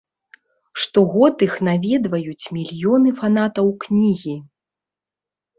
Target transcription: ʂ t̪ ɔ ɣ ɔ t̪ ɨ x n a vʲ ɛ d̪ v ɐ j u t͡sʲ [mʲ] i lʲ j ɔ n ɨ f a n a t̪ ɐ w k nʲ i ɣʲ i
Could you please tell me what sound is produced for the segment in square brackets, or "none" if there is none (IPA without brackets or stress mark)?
mʲ